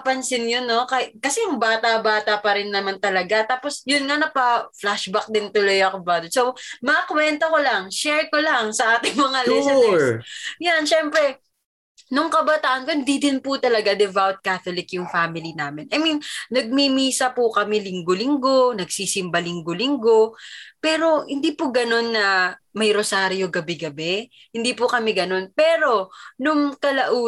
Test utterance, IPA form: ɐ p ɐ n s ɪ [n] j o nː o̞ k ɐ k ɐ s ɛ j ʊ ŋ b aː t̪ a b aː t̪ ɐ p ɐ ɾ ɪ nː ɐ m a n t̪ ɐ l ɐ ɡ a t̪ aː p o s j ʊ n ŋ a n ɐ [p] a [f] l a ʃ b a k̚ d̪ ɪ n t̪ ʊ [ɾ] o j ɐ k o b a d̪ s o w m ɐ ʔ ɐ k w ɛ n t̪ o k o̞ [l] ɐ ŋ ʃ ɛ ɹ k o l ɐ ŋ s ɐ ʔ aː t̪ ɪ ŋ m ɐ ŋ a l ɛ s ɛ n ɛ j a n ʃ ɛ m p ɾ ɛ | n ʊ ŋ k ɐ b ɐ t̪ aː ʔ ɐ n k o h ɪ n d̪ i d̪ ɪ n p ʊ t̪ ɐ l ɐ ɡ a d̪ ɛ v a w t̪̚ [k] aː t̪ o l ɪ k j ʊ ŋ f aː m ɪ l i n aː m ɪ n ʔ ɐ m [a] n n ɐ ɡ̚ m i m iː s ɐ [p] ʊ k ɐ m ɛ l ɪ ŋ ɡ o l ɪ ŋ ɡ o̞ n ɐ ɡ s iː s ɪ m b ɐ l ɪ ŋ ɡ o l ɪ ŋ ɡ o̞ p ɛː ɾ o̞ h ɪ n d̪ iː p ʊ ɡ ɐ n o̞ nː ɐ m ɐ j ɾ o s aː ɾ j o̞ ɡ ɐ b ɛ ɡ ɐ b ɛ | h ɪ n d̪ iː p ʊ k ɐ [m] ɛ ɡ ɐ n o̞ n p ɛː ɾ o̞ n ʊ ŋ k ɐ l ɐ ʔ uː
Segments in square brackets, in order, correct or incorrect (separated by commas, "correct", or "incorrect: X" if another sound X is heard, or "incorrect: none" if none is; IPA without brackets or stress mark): correct, correct, correct, incorrect: l, correct, correct, incorrect: i, correct, correct